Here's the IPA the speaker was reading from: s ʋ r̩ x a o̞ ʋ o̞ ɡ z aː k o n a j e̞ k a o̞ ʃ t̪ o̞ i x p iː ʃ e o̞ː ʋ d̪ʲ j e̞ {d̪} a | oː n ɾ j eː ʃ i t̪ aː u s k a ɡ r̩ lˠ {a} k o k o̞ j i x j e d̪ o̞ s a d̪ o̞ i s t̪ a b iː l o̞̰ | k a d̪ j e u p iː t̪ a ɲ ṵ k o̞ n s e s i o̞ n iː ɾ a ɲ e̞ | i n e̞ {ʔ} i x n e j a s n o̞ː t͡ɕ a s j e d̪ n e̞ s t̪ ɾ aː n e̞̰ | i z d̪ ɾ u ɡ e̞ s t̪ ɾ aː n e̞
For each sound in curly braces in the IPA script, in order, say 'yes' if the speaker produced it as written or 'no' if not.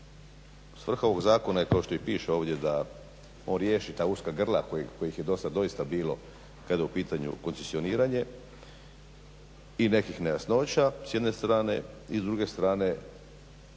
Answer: yes, yes, no

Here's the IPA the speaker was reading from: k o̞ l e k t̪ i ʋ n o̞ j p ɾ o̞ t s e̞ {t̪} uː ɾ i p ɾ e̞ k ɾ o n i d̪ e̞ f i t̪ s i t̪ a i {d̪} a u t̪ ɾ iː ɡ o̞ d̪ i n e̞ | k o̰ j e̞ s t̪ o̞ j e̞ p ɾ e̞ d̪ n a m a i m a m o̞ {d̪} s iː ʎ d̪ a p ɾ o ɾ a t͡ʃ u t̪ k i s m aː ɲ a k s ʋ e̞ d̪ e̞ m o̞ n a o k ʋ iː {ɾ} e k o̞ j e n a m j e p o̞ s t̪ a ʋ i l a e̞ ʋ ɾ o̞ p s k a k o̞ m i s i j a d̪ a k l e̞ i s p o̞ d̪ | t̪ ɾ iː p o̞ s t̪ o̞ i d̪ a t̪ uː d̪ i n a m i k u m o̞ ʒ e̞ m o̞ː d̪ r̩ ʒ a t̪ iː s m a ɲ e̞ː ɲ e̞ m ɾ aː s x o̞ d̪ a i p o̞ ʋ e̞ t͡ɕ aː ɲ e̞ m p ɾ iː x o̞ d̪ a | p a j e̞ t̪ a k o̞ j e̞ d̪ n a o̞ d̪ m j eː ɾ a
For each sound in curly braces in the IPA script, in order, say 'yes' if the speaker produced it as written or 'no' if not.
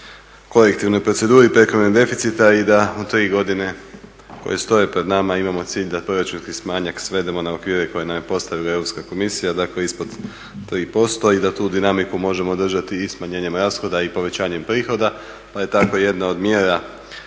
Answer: no, yes, no, yes

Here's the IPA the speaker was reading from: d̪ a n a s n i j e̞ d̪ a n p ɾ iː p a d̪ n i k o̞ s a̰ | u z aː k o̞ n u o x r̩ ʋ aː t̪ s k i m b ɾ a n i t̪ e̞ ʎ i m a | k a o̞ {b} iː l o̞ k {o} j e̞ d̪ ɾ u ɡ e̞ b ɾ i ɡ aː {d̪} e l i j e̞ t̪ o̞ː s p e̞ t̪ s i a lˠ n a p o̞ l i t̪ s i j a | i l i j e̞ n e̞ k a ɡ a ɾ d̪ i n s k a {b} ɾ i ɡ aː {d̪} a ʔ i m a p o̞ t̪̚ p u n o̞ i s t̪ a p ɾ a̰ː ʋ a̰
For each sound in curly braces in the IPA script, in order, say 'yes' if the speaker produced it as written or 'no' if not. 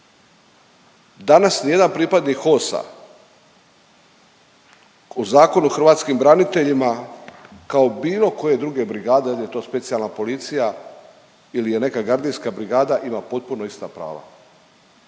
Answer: yes, yes, yes, yes, yes

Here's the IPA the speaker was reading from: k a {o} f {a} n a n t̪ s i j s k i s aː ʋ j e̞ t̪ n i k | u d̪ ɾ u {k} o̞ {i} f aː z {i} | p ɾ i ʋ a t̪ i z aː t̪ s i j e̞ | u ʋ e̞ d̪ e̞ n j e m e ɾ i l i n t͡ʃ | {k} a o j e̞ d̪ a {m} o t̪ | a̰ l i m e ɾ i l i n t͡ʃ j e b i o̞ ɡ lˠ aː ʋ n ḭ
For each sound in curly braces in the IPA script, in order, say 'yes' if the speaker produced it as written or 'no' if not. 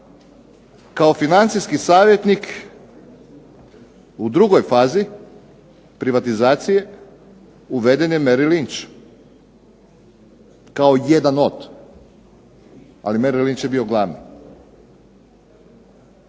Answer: yes, no, no, no, yes, yes, no

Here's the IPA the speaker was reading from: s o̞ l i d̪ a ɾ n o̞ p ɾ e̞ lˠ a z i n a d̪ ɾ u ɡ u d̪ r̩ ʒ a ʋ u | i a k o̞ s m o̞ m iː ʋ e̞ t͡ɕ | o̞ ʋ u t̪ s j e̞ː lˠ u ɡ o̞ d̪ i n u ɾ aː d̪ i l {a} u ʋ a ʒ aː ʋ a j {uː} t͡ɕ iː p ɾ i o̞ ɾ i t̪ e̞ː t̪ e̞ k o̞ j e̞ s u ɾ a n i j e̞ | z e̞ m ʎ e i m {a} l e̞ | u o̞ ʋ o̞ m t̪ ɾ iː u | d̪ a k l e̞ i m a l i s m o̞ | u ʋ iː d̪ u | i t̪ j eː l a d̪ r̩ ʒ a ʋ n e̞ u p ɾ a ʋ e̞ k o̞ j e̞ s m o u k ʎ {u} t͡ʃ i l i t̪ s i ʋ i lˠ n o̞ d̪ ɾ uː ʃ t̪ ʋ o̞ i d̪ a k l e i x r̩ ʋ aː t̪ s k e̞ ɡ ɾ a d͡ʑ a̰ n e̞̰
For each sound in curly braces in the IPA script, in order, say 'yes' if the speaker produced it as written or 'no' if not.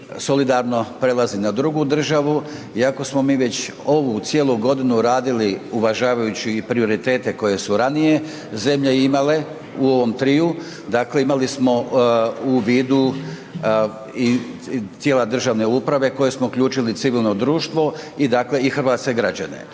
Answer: no, no, yes, no

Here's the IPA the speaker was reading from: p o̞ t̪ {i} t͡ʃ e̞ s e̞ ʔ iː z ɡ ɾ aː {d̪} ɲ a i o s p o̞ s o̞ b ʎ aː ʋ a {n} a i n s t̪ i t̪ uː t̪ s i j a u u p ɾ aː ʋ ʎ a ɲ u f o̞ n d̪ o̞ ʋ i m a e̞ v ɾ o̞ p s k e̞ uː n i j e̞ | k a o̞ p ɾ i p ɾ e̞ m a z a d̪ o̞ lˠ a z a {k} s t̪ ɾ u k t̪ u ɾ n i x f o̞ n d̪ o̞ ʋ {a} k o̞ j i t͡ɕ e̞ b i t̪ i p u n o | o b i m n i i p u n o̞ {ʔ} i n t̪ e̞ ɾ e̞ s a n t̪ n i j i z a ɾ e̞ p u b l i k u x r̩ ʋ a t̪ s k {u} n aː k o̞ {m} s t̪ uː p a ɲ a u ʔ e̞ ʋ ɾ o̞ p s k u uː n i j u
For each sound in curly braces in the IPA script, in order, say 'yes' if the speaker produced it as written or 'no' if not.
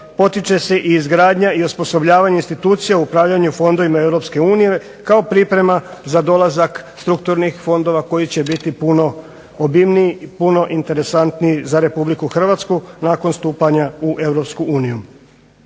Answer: yes, yes, no, yes, yes, yes, yes, no

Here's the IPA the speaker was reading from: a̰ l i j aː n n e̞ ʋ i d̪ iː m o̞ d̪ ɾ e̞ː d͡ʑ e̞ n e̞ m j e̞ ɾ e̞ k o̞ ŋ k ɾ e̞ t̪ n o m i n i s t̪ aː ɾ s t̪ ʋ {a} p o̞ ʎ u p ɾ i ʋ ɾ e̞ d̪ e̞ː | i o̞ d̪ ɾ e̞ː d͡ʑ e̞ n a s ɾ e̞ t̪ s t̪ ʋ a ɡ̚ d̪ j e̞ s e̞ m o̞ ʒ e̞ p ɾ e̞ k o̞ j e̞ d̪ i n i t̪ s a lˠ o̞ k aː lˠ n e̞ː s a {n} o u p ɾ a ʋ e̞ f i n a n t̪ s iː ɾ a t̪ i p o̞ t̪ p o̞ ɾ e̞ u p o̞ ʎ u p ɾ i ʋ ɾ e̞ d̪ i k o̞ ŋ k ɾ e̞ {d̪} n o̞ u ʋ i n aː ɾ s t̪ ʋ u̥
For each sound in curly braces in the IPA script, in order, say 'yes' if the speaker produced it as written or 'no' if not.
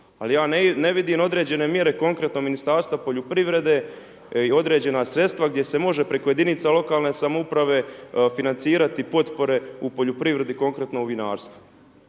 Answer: yes, no, no

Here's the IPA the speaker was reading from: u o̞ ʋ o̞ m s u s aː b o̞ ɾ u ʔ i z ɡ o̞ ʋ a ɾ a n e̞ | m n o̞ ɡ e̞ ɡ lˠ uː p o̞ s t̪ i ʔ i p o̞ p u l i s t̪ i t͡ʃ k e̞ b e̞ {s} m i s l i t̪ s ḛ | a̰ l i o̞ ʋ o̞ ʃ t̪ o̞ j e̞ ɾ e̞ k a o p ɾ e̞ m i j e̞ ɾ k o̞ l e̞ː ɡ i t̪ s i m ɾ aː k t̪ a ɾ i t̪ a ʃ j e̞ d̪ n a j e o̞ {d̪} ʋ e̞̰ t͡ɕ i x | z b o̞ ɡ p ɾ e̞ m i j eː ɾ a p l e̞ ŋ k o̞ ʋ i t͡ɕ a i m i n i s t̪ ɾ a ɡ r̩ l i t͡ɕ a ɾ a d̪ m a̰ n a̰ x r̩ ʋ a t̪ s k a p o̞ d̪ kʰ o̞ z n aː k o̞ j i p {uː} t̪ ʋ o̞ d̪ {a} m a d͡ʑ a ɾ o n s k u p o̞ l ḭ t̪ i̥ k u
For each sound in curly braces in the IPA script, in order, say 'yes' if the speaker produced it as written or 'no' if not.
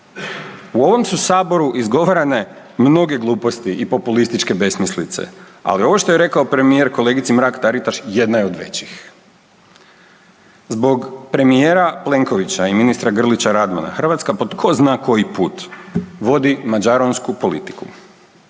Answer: yes, yes, yes, no

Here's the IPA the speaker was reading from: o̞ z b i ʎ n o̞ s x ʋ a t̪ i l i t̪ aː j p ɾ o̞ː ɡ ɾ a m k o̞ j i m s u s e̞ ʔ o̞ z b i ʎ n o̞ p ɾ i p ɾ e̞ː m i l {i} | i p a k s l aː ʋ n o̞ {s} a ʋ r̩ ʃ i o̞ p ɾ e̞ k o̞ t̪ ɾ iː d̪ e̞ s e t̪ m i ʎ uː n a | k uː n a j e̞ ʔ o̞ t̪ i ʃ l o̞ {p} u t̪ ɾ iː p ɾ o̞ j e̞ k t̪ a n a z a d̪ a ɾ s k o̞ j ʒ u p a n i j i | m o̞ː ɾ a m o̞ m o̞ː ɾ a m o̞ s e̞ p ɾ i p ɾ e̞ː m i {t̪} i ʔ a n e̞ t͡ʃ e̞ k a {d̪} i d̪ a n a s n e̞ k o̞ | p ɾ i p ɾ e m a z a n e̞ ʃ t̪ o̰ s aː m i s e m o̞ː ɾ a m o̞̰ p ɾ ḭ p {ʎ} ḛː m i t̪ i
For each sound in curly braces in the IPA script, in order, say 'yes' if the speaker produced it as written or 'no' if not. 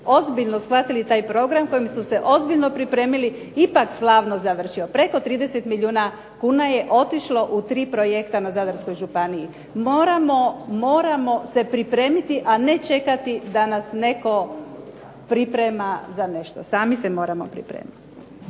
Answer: yes, no, no, yes, no, no

